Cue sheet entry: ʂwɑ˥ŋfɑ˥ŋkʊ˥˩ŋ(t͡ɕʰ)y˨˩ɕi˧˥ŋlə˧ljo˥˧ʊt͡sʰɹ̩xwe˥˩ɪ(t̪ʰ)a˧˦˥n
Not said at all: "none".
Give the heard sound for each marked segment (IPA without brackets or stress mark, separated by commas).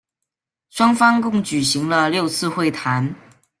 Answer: t͡ɕ, t̪ʰ